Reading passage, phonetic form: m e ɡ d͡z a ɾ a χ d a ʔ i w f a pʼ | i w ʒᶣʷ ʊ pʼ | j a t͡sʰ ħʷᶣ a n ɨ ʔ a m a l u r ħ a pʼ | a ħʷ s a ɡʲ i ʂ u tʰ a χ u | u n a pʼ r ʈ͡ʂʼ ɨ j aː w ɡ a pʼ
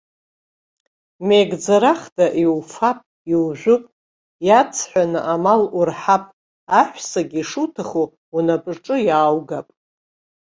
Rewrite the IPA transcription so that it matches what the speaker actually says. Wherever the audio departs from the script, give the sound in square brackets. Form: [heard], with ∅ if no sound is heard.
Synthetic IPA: m e ɡ d͡z a ɾ a χ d a ʔ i w f a pʼ | i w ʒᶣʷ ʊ pʼ | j a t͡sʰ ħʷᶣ a n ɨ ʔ a m a l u r ħ a pʼ | a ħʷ s a ɡʲ i ʂ u tʰ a χ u | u n a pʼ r ʈ͡ʂʼ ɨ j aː w ɡ a pʼ